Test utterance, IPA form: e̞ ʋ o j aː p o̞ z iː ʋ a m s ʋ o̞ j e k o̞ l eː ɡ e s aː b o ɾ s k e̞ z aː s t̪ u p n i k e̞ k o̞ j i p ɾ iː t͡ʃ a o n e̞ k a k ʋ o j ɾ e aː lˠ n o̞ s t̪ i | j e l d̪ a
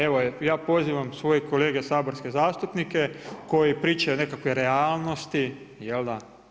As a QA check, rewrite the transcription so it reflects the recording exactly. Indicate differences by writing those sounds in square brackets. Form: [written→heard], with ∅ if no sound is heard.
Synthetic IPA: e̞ ʋ o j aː p o̞ z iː ʋ a m s ʋ o̞ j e k o̞ l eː ɡ e s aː b o ɾ s k e̞ z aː s t̪ u p n i k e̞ k o̞ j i p ɾ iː t͡ʃ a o n e̞ k a k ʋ o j ɾ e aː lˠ n o̞ s t̪ i | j e l d̪ a